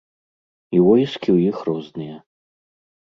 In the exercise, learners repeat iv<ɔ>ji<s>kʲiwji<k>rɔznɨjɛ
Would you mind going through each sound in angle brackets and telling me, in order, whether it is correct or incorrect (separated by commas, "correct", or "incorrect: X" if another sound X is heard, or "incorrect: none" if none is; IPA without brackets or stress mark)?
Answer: correct, correct, incorrect: x